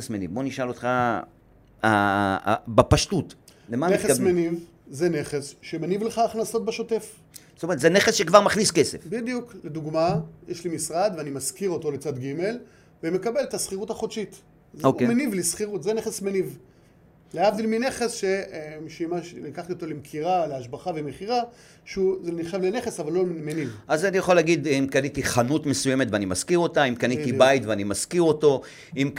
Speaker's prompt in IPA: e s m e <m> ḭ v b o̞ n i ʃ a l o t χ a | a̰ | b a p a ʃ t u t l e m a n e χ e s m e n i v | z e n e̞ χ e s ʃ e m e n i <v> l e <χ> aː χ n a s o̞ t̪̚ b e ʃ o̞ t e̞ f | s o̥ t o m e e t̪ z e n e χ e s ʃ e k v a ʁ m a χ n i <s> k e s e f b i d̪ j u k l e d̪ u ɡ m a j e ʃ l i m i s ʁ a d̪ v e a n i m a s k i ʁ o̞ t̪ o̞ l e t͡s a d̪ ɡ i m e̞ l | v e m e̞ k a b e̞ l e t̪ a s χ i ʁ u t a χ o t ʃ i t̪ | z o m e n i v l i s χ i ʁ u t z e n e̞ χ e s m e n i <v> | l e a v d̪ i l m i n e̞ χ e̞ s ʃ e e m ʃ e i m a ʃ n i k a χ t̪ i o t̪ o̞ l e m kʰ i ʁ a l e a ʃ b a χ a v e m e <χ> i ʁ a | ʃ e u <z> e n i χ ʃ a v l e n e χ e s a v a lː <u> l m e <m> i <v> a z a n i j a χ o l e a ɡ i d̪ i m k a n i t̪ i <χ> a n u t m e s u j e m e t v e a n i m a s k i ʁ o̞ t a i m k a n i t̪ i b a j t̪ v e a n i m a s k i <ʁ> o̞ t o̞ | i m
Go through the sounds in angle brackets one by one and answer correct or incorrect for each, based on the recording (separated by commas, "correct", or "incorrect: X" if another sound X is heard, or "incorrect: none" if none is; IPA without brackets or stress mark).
incorrect: n, correct, correct, correct, correct, correct, correct, incorrect: o, incorrect: n, correct, correct, correct